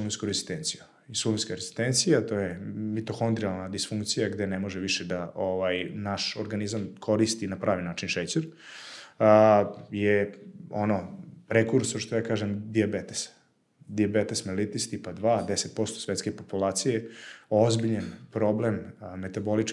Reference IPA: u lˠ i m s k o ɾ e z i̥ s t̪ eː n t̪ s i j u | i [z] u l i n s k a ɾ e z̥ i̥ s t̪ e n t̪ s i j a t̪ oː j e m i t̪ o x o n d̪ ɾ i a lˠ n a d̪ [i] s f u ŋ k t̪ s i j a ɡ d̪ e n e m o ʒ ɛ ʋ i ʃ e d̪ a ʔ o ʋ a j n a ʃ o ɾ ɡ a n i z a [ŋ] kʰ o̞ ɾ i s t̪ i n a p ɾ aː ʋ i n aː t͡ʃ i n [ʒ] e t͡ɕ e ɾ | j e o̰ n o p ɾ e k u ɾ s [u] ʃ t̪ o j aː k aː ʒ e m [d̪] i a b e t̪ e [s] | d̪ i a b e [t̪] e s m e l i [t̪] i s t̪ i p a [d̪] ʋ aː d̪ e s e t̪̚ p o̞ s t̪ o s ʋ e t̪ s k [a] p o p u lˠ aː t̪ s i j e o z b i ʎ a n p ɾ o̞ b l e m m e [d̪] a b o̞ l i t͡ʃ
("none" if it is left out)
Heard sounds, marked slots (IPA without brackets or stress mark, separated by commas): s, i, m, ʃ, o, d̪, s, t̪, t̪, d̪, e, t̪